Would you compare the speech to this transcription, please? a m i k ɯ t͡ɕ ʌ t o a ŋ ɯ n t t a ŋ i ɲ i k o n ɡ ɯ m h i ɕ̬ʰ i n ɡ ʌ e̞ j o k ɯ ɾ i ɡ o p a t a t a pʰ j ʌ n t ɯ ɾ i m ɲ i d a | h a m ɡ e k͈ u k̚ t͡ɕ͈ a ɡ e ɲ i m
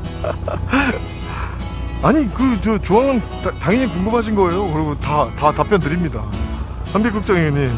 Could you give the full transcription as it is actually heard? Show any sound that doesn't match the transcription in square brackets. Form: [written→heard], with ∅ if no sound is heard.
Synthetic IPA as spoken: a [m→ɲ] i k ɯ t͡ɕ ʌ [t→t͡ɕ] o a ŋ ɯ n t t a ŋ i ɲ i k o [n→ŋ] ɡ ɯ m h [i→a] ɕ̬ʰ i n ɡ ʌ e̞ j o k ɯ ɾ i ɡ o [p→t] a t a t a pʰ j ʌ n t ɯ ɾ i m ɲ i d a | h a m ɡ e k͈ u k̚ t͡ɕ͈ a [ɡ→ŋ] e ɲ i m